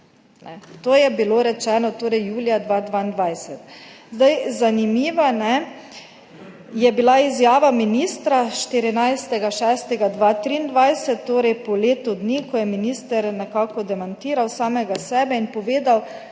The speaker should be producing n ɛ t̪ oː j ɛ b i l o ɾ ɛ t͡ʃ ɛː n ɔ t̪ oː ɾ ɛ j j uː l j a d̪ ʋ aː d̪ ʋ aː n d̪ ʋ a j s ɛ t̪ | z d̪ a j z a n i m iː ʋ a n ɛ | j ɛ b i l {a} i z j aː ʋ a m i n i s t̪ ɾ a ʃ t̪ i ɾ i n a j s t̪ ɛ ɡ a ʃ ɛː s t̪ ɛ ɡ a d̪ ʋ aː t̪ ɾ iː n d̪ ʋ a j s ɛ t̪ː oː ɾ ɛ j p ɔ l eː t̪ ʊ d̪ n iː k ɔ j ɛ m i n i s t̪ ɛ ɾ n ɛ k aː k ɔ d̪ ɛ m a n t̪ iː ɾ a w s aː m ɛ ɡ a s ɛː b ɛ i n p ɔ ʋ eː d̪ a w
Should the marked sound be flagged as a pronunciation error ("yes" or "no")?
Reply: no